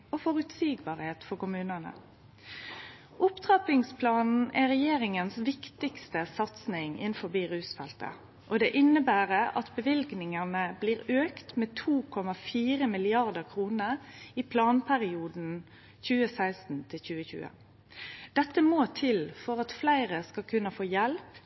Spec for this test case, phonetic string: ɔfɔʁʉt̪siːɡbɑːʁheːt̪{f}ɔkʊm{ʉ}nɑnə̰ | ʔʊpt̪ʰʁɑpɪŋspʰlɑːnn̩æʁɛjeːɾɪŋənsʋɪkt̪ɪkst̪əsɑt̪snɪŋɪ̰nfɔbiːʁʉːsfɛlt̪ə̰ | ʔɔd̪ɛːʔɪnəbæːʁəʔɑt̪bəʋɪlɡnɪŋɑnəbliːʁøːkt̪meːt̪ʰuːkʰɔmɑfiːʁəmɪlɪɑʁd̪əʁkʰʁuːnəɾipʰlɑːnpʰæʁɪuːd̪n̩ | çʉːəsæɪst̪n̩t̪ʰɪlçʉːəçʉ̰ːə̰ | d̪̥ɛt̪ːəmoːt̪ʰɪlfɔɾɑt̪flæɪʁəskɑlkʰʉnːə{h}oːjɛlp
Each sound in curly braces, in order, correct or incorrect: correct, incorrect, incorrect

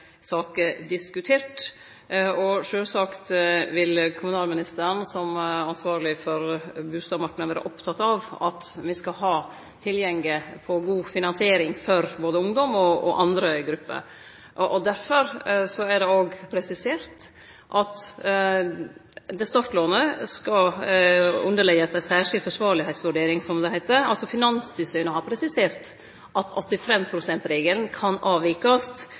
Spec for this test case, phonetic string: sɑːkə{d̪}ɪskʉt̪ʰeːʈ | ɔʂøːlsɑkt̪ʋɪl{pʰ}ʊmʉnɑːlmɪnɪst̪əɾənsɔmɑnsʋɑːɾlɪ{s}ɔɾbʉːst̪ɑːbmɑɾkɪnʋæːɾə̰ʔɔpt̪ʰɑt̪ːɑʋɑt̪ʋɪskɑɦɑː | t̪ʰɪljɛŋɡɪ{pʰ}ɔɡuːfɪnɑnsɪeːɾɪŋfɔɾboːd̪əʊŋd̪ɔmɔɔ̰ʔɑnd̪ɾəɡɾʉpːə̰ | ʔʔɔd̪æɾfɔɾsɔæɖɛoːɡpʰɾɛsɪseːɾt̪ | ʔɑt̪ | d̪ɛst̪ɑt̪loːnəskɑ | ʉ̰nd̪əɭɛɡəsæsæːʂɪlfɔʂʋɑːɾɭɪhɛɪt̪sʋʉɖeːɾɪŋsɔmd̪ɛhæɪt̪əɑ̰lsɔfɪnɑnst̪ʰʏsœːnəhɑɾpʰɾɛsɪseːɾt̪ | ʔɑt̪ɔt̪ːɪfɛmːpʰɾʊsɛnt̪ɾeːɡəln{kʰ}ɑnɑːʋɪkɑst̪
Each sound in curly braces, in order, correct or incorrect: correct, incorrect, incorrect, correct, correct

